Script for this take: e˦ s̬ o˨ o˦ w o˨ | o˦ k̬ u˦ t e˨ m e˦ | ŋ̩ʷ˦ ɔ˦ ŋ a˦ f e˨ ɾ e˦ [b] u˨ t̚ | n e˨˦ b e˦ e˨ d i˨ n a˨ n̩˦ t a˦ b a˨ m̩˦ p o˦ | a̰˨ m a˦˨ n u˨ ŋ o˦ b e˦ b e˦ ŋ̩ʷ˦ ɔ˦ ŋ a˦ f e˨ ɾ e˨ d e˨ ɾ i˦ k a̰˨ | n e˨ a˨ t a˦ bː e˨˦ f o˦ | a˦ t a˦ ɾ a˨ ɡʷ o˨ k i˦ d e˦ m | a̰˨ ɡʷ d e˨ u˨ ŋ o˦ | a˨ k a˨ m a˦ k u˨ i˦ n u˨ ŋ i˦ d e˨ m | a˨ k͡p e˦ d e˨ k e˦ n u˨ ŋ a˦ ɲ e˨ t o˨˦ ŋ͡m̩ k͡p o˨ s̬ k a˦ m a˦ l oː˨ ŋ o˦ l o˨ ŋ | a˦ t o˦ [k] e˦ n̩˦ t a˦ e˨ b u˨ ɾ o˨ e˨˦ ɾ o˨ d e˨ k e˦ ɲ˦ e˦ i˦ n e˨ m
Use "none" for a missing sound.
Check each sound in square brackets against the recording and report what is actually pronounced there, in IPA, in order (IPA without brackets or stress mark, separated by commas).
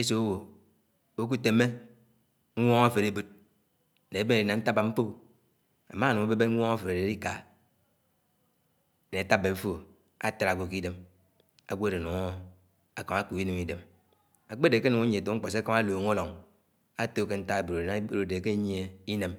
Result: b, k